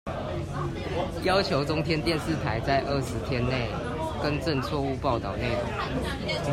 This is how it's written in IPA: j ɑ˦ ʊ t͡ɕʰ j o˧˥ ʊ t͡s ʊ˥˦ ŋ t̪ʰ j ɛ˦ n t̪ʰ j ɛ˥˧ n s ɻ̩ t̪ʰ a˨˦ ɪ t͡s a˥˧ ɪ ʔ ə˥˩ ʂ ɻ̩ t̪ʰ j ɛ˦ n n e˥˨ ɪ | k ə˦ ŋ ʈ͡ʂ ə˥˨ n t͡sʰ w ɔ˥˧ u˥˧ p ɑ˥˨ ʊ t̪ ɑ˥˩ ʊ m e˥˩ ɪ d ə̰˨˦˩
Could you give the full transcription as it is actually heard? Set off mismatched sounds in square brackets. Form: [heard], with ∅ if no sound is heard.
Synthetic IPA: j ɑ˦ ʊ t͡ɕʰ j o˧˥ ʊ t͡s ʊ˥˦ ŋ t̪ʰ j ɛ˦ n [t̪] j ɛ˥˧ n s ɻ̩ t̪ʰ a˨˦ ɪ t͡s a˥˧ ɪ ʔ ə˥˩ ʂ ɻ̩ t̪ʰ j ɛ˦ n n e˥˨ ɪ | k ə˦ [n] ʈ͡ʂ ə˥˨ n t͡sʰ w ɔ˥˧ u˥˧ p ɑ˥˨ ʊ t̪ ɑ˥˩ ʊ [n] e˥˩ ɪ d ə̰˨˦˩